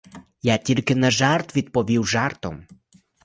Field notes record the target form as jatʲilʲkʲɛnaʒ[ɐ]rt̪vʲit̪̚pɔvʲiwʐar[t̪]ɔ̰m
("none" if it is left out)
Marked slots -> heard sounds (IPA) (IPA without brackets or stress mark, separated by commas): a, t̪